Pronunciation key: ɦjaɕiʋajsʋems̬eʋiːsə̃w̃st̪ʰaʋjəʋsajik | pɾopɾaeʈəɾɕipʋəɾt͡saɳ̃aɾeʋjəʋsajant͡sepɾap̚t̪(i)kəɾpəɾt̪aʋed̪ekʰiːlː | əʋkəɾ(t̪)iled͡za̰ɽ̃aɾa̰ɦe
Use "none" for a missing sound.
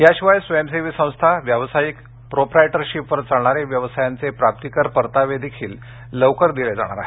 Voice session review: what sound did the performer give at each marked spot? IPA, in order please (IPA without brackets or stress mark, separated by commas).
i, d̪